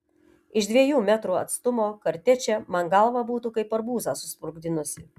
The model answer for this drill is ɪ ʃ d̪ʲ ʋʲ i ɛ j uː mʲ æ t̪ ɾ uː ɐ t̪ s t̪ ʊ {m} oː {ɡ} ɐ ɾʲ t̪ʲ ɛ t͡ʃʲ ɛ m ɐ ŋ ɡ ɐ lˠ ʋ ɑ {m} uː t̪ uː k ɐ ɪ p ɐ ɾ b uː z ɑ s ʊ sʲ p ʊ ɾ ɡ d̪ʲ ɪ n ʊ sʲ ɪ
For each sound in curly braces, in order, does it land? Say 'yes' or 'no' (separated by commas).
yes, no, no